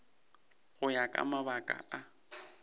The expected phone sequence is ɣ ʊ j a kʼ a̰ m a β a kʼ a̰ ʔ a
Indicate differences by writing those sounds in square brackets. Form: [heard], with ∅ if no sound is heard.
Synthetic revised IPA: ɣ ʊ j a kʼ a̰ m a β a kʼ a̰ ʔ a